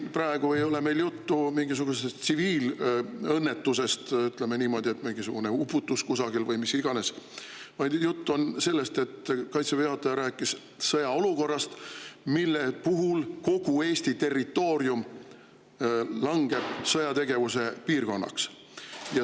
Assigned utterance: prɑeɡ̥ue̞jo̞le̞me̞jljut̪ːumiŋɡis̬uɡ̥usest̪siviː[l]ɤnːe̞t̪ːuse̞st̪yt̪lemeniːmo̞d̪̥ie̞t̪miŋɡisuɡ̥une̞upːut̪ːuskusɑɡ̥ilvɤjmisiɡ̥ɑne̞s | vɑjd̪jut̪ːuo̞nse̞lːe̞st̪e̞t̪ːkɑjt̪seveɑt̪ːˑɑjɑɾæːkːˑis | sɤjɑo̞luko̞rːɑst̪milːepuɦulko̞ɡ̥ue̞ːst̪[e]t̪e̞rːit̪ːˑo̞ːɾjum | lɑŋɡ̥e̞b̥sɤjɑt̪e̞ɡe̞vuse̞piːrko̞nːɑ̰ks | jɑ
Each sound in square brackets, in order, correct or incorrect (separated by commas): correct, incorrect